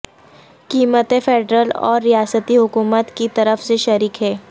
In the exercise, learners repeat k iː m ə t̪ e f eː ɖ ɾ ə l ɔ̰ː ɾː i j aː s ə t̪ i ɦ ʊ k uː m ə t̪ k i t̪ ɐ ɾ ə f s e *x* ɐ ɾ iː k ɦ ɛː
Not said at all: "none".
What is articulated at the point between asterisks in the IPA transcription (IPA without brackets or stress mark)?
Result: ʃ